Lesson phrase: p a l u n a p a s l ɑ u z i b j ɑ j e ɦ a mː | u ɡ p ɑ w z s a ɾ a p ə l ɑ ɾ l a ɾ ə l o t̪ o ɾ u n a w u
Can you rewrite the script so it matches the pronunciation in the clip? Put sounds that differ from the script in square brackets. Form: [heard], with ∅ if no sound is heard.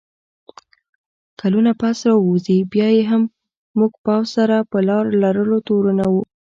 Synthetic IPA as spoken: [k] a l u n a p a s [ɾ] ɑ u z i b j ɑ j e ɦ a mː | u ɡ p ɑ w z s a ɾ a p ə l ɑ ɾ l a ɾ ə l o t̪ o ɾ u n a w u